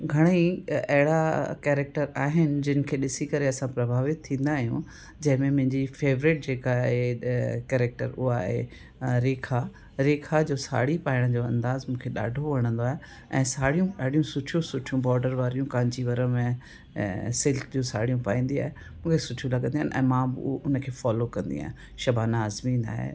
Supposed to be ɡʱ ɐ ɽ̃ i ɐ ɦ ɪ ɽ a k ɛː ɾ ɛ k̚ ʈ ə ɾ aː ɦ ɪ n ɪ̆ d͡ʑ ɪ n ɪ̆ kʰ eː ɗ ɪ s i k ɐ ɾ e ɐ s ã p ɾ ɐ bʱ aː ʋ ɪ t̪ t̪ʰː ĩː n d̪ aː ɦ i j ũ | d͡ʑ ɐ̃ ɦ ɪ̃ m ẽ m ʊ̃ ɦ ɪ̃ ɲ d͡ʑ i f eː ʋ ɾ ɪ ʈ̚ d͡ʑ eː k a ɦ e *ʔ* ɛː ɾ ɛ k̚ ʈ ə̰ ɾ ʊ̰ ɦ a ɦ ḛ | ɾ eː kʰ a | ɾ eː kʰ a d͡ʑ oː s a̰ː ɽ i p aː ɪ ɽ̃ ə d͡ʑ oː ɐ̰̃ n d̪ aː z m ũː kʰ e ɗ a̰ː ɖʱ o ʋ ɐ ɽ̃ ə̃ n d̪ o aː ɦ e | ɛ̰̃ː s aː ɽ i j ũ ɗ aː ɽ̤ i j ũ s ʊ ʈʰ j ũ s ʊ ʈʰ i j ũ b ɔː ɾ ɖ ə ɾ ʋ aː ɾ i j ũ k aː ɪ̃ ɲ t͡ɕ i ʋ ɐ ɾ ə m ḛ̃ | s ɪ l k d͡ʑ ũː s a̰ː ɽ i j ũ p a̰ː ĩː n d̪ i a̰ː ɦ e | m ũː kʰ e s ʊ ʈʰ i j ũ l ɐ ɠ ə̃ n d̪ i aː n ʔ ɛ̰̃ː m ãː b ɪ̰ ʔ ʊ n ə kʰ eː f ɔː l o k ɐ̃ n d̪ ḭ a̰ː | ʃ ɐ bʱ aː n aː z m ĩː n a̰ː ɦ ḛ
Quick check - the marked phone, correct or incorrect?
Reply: incorrect